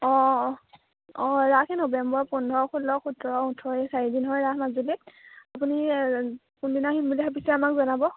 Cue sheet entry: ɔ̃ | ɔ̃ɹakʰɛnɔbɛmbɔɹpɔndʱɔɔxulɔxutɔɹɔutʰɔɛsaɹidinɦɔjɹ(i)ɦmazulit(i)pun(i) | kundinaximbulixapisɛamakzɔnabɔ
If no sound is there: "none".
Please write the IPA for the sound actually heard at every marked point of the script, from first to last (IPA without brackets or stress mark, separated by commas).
a, a, i